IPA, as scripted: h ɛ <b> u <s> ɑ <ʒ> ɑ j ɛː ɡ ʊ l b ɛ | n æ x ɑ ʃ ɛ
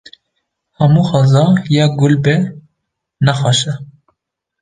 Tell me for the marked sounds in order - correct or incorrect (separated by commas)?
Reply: incorrect, incorrect, incorrect